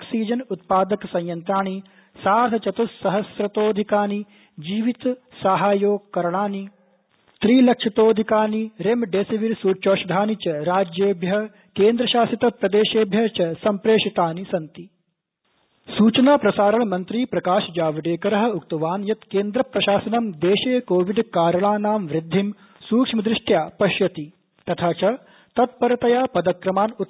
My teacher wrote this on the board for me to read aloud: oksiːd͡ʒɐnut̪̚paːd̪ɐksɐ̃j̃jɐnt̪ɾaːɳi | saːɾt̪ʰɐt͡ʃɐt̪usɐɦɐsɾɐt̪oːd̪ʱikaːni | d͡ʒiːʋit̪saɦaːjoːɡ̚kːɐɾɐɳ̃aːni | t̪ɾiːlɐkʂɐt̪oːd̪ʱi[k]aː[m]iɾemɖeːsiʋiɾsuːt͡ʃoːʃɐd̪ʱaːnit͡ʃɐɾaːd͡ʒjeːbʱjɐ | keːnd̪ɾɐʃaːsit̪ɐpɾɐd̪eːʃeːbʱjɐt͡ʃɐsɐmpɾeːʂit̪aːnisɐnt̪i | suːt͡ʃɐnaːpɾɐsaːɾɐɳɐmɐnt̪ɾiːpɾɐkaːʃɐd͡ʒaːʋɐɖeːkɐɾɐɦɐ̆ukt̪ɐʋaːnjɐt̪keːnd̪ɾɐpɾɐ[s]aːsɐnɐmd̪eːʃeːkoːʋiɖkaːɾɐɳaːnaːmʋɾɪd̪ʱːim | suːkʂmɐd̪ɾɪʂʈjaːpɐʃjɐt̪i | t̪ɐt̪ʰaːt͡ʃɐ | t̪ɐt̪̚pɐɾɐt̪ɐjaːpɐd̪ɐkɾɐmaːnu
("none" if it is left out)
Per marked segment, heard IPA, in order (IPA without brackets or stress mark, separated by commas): k, n, ʃ